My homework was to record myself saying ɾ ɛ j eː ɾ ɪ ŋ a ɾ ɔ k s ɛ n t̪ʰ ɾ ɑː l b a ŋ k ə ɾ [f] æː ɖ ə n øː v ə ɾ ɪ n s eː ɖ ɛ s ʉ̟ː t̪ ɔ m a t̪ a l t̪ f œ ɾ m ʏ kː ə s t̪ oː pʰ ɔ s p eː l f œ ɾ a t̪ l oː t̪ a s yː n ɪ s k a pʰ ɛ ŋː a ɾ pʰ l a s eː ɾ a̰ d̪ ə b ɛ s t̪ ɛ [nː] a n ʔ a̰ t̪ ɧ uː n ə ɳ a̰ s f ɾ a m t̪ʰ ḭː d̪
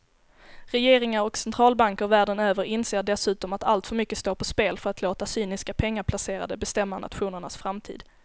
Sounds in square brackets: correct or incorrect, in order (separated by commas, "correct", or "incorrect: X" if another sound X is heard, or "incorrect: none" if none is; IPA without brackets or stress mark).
incorrect: v, incorrect: mː